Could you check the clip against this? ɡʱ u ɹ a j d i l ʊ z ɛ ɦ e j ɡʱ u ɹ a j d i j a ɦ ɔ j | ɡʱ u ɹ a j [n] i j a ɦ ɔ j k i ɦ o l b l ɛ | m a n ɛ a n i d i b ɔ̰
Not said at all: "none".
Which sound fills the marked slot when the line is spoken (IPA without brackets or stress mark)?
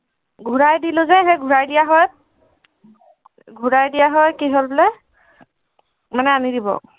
d